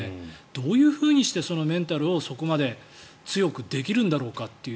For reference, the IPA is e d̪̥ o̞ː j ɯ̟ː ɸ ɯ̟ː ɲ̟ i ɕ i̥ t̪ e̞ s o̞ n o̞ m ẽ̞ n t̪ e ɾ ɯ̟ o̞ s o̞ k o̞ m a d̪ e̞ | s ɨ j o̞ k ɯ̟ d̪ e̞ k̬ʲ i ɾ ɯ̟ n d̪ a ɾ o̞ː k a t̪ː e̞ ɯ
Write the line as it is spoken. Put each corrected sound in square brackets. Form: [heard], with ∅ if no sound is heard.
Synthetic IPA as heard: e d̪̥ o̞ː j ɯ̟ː ɸ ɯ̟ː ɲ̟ i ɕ i̥ t̪ e̞ s o̞ n o̞ m ẽ̞ n t̪ [a] ɾ ɯ̟ o̞ s o̞ k o̞ m a d̪ e̞ | [t͡s] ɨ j o̞ k ɯ̟ d̪ e̞ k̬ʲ i ɾ [ɯ̟̃] n d̪ a ɾ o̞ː k a t̪ː e̞ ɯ